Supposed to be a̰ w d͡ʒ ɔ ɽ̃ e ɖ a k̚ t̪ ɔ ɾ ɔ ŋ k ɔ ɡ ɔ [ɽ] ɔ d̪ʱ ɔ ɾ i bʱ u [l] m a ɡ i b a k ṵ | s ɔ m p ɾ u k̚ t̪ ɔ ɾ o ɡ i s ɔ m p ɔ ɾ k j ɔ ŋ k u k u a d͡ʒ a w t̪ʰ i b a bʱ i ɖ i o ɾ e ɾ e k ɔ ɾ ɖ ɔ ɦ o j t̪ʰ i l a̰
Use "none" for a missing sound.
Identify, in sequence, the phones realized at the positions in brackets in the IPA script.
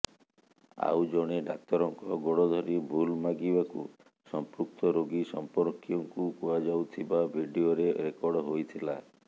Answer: ɽ, l

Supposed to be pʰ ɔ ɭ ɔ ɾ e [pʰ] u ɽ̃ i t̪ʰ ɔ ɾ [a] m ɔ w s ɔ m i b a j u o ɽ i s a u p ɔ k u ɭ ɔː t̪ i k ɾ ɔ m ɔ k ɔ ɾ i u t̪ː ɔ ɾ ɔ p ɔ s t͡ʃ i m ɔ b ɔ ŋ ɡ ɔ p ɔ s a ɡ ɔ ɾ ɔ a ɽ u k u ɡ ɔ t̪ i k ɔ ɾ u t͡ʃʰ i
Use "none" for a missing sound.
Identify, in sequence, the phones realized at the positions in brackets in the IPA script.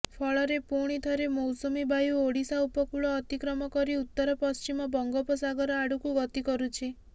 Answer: p, e

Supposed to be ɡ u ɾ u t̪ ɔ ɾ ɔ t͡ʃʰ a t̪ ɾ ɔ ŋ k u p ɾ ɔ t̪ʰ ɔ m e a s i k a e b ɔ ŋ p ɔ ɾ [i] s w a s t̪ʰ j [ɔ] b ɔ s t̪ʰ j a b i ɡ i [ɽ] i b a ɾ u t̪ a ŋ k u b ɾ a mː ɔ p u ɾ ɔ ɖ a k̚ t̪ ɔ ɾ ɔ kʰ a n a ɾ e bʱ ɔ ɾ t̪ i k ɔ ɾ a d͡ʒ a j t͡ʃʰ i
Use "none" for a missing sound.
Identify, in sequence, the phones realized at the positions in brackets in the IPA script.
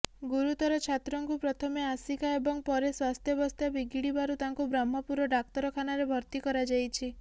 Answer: e, ɔ, ɽ

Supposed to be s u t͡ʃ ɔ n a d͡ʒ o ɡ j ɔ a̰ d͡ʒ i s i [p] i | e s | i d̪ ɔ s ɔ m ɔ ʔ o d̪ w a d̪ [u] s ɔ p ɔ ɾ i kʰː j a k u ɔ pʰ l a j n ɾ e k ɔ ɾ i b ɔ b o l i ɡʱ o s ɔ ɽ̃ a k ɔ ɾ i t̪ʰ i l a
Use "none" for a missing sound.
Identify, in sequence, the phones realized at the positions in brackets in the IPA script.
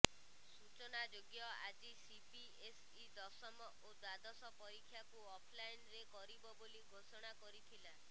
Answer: p, ɔ

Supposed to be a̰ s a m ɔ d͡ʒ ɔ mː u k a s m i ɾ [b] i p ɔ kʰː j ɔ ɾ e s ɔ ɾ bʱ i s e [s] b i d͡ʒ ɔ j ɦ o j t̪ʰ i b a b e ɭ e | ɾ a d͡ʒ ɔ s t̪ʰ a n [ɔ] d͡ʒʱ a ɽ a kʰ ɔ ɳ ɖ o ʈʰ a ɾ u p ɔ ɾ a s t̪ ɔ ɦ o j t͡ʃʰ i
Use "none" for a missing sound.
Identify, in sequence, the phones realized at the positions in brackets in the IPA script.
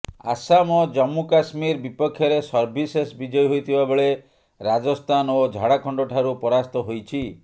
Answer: b, s, o

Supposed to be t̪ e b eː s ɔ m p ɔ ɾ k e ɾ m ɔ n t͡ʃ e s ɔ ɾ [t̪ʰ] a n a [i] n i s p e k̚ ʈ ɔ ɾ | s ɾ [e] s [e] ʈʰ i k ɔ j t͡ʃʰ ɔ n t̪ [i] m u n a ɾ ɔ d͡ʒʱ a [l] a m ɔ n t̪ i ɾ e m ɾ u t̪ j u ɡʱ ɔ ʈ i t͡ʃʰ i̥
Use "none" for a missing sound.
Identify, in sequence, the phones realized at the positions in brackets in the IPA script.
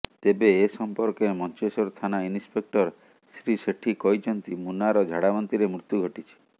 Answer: t̪ʰ, i, i, e, i, ɽ

